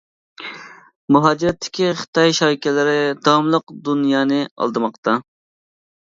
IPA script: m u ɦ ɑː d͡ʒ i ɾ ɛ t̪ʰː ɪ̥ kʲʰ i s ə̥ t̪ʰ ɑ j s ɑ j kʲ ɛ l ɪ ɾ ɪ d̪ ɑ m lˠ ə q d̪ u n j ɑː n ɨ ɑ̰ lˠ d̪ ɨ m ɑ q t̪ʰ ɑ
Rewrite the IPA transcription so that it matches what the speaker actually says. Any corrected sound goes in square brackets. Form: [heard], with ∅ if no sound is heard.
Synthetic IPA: m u ɦ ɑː d͡ʒ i ɾ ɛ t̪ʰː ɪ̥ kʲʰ i [χ] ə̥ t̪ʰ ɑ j [ʃ] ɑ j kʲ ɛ l ɪ ɾ ɪ d̪ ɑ m lˠ ə q d̪ u n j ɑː n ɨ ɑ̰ lˠ d̪ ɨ m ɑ q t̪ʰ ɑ